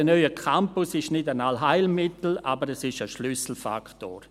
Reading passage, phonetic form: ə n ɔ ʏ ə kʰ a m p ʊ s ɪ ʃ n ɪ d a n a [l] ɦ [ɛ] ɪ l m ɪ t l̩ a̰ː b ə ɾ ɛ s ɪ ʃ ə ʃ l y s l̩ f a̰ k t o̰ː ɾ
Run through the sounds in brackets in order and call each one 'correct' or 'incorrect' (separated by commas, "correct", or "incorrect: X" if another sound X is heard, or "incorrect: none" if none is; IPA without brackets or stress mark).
correct, incorrect: a